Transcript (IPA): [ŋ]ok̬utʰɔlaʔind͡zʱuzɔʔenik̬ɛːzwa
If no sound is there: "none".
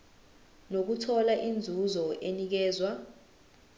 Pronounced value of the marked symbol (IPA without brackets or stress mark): n